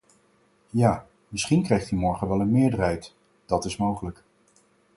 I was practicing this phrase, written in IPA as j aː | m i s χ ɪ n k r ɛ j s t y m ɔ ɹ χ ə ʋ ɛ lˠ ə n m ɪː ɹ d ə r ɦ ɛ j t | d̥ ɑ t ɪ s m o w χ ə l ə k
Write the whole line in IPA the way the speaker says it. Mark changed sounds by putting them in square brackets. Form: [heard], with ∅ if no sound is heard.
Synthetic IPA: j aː | m [ɪ] s χ [i] n k r ɛ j [χ] t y m ɔ ɹ χ ə ʋ ɛ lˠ ə n m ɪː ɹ d ə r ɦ ɛ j t | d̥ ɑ t ɪ s m o w χ ə l ə k